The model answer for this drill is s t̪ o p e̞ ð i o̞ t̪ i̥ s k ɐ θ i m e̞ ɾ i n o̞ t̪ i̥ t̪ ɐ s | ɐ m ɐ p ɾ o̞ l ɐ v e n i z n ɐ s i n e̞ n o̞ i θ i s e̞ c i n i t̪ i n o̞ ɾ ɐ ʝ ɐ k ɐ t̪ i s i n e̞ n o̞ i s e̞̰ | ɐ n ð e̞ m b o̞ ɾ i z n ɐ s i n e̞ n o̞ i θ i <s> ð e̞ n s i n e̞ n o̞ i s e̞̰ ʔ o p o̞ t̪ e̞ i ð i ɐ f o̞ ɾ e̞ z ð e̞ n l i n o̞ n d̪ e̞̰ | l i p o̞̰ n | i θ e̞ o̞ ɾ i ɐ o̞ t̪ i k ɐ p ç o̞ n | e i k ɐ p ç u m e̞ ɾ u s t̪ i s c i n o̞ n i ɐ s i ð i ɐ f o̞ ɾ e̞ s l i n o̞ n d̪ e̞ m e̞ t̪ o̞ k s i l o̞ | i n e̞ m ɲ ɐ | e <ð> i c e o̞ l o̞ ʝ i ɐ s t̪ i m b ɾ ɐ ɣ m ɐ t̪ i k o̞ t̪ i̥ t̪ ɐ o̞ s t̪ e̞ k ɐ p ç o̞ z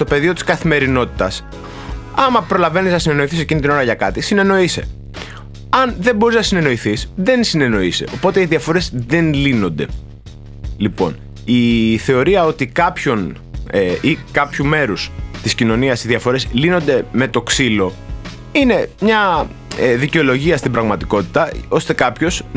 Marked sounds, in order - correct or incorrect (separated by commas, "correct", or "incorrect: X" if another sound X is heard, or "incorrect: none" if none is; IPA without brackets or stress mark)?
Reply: correct, correct